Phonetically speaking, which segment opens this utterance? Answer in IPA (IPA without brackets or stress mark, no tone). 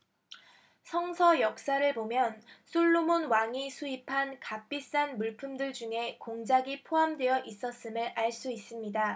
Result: sʰ